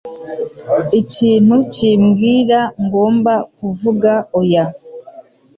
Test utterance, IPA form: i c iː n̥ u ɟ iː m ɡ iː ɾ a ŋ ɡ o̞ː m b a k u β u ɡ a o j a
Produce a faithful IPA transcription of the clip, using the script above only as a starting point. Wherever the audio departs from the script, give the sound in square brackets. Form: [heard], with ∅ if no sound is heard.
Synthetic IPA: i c iː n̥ u [c] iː m ɡ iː ɾ a ŋ ɡ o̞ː m b a k u [v] u ɡ a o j a